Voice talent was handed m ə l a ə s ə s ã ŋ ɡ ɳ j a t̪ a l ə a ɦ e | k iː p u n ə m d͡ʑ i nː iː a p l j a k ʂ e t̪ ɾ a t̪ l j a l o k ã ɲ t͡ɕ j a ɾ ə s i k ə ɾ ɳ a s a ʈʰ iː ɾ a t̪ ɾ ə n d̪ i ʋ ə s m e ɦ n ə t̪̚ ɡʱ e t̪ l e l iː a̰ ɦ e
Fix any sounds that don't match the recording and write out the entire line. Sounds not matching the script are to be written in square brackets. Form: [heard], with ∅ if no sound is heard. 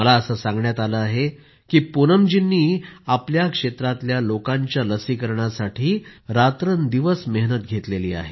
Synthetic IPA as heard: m ə l a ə s ə s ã ŋ ɡ ɳ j a t̪ a l ə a ɦ e | k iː p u n ə m d͡ʑ i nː iː a p l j a k ʂ e t̪ ɾ a t̪ l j a l o k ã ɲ t͡ɕ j a [l] ə s i k ə ɾ ɳ a s a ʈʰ iː ɾ a t̪ ɾ ə n d̪ i ʋ ə s m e ɦ n ə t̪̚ ɡʱ e t̪ l e l iː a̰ ɦ e

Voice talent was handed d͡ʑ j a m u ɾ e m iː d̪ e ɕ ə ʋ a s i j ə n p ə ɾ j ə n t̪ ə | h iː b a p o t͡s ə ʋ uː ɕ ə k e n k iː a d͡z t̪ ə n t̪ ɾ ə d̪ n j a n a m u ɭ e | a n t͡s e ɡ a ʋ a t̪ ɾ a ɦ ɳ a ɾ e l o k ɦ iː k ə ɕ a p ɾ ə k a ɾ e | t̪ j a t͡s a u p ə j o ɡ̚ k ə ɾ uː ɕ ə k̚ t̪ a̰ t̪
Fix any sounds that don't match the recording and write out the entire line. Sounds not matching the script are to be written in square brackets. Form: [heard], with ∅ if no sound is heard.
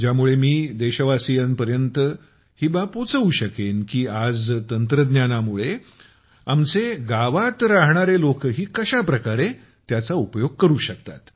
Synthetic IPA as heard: d͡ʑ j a m u [ɭ] e m iː d̪ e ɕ ə ʋ a s i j ə n p ə ɾ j ə n t̪ ə | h iː b a p o t͡s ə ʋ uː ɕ ə k e n k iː a d͡z t̪ ə n t̪ ɾ ə d̪ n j a n a m u ɭ e | a [m] t͡s e ɡ a ʋ a t̪ ɾ a ɦ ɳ a ɾ e l o k ɦ iː k ə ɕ a p ɾ ə k a ɾ e | t̪ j a t͡s a u p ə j o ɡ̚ k ə ɾ uː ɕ ə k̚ t̪ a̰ t̪

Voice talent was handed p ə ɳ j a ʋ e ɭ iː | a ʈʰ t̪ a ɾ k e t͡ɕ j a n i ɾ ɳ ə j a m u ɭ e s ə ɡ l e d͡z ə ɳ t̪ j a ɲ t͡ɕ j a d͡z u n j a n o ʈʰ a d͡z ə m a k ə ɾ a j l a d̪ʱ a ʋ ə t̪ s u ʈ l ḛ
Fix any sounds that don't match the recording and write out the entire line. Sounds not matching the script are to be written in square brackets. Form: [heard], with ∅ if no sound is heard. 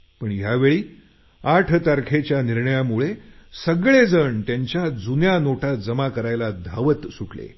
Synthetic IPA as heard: p ə ɳ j a ʋ e ɭ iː | a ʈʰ t̪ a ɾ [kʰ] e t͡ɕ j a n i ɾ ɳ ə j a m u ɭ e s ə ɡ [ɭ] e d͡z ə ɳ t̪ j a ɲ t͡ɕ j a d͡z u n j a n o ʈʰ a d͡z ə m a k ə ɾ a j l a d̪ʱ a ʋ ə t̪ s u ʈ l ḛ

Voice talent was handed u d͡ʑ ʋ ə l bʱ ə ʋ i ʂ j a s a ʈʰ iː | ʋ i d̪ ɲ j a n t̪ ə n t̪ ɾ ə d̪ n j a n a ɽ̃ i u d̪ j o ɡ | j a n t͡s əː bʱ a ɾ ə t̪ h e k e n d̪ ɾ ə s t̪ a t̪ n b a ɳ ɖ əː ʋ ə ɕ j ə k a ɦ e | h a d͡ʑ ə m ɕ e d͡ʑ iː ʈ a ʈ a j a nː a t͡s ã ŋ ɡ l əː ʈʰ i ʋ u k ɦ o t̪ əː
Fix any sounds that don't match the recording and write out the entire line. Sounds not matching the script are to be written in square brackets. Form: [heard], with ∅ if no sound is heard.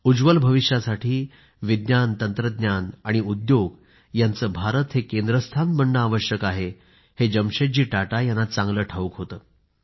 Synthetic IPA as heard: u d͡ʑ ʋ ə l bʱ ə ʋ i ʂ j a s a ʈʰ iː | ʋ i d̪ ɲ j a n t̪ ə n t̪ ɾ ə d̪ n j a n a ɽ̃ i u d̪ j o ɡ | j a n t͡s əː bʱ a ɾ ə t̪ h e k e n d̪ ɾ ə s [t̪ʰ] a [∅] n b [ə] ɳ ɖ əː ʋ ə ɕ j ə k a ɦ e | h [e] d͡ʑ ə m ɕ e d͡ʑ iː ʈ a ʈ a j a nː a t͡s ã ŋ ɡ l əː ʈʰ [a] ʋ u k ɦ o t̪ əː

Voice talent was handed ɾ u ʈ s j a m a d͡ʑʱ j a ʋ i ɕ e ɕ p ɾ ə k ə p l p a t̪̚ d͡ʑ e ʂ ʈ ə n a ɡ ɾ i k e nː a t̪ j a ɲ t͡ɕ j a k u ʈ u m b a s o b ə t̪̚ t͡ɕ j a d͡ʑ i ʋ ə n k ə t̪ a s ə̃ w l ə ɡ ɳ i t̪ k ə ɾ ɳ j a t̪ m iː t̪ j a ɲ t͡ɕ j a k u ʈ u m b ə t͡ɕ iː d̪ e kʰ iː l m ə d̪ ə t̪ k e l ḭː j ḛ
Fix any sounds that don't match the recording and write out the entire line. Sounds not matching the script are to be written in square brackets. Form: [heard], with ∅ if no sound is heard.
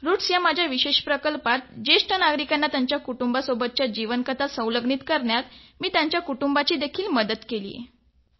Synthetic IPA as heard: ɾ u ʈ s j a m a d͡ʑʱ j a ʋ i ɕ e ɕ p ɾ ə k ə [∅] l p a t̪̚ d͡ʑ e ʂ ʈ ə n a ɡ ɾ i k [a] nː a t̪ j a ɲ t͡ɕ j a k u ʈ u m b a s o b ə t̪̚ t͡ɕ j a d͡ʑ i ʋ ə n k ə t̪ a s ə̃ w l ə ɡ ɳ i t̪ k ə ɾ ɳ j a t̪ m iː t̪ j a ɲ t͡ɕ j a k u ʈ u m b [a] t͡ɕ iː d̪ e kʰ iː l m ə d̪ ə t̪ k e l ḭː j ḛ

